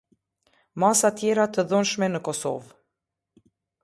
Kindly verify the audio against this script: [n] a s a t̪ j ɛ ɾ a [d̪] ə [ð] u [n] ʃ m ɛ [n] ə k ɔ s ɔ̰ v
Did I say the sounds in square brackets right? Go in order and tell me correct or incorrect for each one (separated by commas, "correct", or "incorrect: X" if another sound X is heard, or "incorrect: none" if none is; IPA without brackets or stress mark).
incorrect: m, incorrect: t̪, correct, correct, correct